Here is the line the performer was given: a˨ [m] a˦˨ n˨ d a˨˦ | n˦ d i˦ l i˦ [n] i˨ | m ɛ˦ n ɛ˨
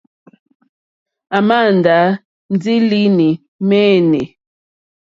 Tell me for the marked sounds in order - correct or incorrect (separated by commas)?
correct, correct